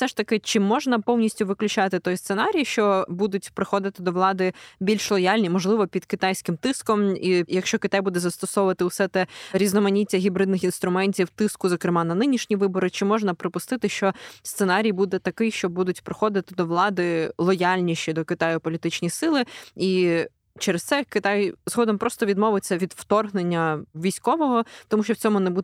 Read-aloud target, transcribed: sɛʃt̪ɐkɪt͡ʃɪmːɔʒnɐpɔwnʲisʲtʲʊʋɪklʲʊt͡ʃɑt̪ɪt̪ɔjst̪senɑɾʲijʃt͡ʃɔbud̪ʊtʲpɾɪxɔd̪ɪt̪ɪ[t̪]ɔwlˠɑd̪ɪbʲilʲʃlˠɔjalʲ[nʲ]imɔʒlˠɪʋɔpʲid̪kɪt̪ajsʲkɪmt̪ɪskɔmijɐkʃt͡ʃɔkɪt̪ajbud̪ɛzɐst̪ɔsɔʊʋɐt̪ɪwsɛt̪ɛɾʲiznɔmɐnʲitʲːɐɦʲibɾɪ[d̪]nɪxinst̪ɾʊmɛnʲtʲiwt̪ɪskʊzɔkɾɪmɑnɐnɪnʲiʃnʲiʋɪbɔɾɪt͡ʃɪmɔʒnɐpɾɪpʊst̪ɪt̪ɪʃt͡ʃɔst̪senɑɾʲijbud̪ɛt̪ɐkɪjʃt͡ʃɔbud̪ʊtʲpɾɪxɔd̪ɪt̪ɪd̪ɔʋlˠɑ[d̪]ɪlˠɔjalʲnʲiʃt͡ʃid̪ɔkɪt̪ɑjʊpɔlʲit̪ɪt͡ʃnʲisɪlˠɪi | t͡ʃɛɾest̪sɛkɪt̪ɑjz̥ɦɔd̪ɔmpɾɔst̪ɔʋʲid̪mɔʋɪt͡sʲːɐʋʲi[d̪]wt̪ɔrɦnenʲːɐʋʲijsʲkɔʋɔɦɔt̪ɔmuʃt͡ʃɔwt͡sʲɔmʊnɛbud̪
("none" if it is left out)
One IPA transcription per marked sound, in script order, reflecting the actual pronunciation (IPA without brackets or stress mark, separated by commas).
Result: d̪, nʲ, d̪, d̪, d̪